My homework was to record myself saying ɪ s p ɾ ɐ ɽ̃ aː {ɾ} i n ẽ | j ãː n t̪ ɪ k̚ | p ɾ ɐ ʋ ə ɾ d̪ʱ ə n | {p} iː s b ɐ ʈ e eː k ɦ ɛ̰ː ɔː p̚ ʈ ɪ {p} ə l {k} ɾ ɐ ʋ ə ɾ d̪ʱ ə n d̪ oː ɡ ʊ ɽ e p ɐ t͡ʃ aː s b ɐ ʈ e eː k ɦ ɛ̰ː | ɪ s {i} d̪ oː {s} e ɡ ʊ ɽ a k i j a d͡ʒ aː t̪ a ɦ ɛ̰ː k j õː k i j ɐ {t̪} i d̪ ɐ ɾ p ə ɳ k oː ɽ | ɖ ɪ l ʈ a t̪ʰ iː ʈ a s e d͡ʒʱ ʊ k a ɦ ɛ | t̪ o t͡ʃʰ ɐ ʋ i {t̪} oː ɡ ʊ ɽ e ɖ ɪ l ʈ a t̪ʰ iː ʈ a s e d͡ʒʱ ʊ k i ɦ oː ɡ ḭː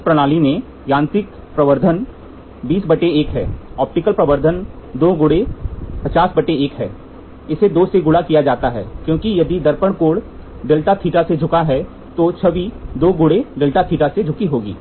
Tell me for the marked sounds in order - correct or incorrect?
incorrect: l, incorrect: b, incorrect: k, incorrect: p, incorrect: e, correct, incorrect: d̪, incorrect: d̪

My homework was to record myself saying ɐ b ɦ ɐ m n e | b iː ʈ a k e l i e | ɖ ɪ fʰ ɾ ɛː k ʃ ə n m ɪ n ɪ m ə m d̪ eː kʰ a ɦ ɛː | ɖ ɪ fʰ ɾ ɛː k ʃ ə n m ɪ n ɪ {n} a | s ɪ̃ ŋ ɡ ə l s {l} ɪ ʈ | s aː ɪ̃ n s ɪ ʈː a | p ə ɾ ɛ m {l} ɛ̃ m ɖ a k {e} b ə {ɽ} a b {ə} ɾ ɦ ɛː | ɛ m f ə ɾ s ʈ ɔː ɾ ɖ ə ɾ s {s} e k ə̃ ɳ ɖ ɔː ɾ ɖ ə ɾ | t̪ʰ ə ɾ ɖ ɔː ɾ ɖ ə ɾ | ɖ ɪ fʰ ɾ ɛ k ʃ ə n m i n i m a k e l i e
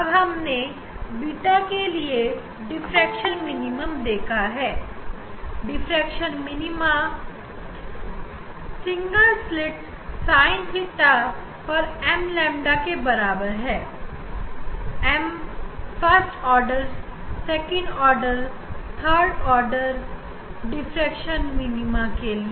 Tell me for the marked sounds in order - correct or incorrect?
incorrect: m, correct, correct, correct, incorrect: ɾ, correct, correct

